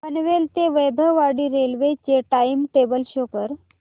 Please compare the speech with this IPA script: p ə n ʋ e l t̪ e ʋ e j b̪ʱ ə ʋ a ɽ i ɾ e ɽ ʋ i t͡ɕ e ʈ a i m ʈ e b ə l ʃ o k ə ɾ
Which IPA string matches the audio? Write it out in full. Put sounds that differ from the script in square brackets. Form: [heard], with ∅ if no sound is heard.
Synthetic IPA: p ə n ʋ e l t̪ e ʋ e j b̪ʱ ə ʋ a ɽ i ɾ e [l] ʋ [e] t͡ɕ e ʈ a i m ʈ e b ə l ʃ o k ə ɾ